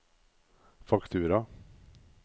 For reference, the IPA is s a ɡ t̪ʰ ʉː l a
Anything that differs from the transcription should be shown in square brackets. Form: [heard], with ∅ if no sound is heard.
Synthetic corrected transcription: [f] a [k] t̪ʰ ʉː [ɾ] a